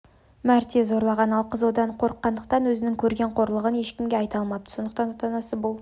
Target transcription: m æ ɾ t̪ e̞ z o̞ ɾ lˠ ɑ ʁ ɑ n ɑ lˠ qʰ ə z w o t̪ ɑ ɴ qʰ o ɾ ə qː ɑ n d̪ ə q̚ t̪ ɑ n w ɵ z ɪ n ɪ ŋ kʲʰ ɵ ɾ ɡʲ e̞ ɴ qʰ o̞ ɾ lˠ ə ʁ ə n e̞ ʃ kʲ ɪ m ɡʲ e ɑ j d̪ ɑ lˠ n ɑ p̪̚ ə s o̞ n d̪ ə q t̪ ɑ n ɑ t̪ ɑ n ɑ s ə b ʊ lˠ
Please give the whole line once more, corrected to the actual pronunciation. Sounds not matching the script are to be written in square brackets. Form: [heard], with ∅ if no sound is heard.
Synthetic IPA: m æ ɾ t̪ e̞ z o̞ ɾ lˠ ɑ ʁ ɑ n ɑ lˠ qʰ ə z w o [d̪] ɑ ɴ qʰ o ɾ ə qː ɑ n d̪ ə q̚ t̪ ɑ n w ɵ z ɪ n ɪ ŋ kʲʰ ɵ ɾ ɡʲ e̞ ɴ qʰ o̞ ɾ lˠ ə ʁ ə n e̞ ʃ kʲ ɪ m ɡʲ e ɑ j [t̪] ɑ lˠ [m] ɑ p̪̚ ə s o̞ n d̪ ə q t̪ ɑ n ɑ t̪ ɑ n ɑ s ə b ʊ lˠ